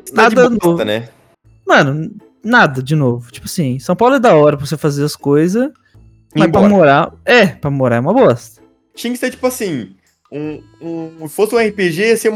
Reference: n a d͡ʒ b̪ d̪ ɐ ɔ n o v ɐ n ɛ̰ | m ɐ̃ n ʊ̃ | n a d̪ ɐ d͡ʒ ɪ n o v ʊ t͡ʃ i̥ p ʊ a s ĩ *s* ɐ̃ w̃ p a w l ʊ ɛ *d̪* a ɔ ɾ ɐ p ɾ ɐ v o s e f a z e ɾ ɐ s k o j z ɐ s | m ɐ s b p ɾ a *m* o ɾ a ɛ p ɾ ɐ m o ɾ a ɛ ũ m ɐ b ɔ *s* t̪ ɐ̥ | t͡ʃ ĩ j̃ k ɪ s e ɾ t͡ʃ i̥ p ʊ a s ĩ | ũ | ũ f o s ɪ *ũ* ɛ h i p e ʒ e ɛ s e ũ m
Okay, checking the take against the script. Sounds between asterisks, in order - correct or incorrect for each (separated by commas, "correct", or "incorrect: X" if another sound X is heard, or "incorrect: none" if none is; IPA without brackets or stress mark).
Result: correct, correct, correct, correct, correct